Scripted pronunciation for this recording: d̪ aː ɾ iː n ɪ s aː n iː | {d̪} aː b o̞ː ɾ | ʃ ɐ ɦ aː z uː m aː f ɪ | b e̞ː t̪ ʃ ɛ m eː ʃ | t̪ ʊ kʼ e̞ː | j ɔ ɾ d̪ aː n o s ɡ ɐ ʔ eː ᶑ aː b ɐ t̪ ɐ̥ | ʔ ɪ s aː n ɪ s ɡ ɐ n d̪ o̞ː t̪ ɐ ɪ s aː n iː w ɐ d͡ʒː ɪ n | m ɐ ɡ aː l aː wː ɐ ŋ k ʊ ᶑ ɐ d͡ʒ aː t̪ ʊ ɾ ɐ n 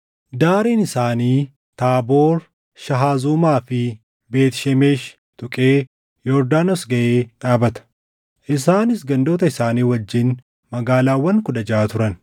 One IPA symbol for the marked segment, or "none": t̪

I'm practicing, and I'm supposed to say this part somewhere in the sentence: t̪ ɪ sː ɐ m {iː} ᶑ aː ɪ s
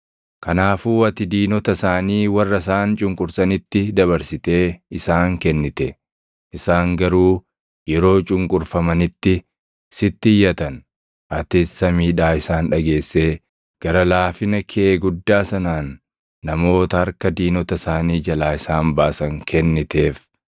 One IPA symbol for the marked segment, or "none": iː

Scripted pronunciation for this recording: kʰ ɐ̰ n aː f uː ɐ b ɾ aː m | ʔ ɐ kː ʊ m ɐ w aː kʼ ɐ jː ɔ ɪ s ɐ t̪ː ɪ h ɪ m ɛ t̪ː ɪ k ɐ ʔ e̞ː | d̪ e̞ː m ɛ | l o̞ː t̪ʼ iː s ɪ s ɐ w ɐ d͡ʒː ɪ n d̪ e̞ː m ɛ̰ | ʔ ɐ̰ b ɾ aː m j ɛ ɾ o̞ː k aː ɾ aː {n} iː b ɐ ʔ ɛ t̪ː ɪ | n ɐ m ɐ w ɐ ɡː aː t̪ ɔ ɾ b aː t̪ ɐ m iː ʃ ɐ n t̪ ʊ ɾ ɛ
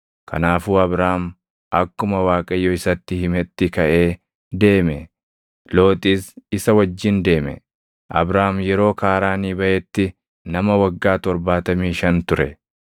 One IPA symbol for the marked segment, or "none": n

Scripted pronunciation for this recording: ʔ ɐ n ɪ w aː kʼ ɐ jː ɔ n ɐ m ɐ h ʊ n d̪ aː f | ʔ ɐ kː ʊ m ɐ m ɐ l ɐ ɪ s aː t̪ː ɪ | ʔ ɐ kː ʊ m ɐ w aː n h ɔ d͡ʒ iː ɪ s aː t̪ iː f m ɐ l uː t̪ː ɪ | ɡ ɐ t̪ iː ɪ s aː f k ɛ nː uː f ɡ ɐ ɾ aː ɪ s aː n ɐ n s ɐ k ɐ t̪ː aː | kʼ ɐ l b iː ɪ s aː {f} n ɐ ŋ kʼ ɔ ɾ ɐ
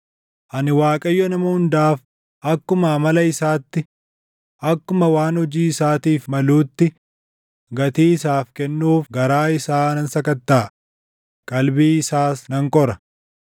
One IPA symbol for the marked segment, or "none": s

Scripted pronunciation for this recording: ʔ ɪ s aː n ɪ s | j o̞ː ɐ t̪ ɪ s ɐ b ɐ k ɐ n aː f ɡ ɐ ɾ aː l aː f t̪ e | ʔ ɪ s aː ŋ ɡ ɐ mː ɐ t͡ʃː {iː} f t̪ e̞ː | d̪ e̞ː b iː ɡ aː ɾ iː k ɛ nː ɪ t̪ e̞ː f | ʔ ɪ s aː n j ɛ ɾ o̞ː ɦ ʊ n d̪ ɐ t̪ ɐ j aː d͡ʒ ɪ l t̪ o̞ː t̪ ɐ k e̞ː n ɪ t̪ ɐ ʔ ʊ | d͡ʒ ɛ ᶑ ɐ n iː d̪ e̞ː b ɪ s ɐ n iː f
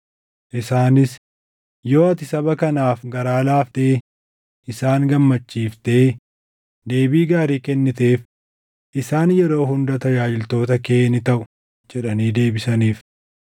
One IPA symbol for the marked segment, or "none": iː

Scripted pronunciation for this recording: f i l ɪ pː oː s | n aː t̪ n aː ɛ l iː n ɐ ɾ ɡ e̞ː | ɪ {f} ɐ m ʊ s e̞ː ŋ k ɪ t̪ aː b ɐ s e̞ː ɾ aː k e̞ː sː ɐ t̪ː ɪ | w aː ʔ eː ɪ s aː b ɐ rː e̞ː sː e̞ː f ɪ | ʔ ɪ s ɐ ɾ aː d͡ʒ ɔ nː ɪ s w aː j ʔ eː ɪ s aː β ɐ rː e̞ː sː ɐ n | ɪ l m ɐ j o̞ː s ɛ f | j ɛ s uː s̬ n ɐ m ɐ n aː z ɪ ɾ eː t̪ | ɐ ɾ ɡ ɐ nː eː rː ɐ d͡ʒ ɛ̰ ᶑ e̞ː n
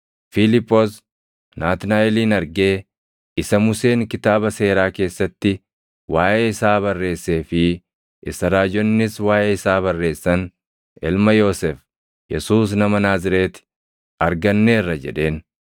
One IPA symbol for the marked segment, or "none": s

